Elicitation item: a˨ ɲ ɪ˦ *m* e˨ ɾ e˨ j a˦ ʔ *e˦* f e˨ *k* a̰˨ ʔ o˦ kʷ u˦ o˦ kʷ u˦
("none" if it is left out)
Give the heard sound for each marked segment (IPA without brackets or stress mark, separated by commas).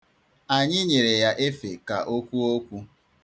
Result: ɲ, e˦, k